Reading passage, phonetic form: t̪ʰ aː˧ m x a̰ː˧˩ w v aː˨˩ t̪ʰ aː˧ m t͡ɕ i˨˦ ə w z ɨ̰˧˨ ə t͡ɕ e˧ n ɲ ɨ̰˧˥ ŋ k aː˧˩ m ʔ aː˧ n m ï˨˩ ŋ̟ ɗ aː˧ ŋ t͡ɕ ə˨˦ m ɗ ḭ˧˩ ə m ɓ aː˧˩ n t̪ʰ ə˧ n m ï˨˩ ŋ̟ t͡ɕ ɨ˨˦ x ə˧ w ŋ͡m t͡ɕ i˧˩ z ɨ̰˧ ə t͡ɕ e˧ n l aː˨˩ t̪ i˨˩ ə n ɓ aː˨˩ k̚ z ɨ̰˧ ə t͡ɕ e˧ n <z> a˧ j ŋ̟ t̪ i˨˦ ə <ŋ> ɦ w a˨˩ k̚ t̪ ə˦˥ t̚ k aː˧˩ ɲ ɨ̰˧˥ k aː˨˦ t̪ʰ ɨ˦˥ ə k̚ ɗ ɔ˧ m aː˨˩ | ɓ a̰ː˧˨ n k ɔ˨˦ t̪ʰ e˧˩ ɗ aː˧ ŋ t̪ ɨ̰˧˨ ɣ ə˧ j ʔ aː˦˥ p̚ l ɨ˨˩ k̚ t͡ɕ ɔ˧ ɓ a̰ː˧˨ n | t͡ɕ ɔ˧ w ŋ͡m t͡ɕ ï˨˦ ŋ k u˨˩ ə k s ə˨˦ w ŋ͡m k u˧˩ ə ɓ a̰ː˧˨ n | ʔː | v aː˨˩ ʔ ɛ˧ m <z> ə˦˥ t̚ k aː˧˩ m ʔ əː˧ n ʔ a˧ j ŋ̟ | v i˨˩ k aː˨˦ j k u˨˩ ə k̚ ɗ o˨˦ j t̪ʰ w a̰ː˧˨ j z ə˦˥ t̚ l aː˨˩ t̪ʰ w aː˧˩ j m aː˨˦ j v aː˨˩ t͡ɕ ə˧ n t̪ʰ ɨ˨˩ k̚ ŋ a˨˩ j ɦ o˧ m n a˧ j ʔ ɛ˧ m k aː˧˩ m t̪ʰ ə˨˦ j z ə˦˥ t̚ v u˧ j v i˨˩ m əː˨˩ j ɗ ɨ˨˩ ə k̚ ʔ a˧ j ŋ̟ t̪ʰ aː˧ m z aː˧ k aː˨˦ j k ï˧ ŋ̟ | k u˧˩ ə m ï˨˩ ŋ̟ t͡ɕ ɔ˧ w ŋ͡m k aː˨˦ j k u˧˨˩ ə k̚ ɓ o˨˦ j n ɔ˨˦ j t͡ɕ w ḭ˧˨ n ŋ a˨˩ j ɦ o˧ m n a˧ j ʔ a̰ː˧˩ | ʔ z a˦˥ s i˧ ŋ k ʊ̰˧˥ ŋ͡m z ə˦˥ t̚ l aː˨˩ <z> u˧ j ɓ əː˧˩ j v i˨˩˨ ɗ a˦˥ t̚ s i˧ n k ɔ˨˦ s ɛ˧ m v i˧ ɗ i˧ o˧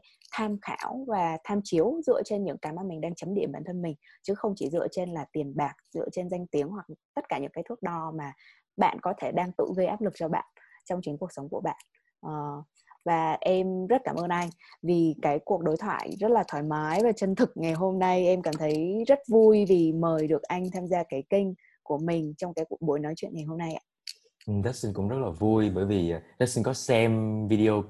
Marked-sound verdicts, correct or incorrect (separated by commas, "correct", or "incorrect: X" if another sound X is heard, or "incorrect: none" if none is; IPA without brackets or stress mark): correct, correct, correct, incorrect: v